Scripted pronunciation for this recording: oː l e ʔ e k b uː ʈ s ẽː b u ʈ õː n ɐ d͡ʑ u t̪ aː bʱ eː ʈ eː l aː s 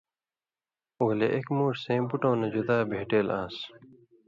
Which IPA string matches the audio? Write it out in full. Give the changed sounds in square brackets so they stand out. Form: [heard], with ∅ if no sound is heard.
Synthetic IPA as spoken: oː l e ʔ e k [m] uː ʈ s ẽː b u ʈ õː n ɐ d͡ʑ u [d̪] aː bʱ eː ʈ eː l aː s